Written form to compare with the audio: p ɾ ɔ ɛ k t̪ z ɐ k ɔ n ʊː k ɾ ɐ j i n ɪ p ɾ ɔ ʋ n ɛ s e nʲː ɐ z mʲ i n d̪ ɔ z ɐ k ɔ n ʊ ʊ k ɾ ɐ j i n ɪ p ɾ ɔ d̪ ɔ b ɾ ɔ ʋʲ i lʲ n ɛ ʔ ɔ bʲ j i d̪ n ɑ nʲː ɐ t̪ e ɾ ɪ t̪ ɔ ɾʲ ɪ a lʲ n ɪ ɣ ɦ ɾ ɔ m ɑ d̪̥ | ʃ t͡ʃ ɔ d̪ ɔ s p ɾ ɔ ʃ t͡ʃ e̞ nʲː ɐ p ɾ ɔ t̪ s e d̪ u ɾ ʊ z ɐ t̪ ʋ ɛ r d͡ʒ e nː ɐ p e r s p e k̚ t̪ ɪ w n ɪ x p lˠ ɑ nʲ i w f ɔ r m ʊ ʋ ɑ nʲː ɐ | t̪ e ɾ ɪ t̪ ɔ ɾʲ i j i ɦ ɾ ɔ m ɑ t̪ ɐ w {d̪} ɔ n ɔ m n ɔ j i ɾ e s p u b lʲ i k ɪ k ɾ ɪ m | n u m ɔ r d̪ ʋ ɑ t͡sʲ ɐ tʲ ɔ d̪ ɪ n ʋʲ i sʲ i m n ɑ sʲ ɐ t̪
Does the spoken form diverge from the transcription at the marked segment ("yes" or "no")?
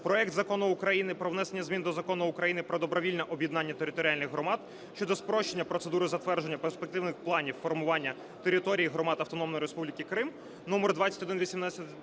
yes